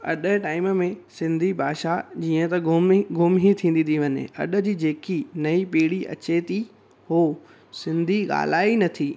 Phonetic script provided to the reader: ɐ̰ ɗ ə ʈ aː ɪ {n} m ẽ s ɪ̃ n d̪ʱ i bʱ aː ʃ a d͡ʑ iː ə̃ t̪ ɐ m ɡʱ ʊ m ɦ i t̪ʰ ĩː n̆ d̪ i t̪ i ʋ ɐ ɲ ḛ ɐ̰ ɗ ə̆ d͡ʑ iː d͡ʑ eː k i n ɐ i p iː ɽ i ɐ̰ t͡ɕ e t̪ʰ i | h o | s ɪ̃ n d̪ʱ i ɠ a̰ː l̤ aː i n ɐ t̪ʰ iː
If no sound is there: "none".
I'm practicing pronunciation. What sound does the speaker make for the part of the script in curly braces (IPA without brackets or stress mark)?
m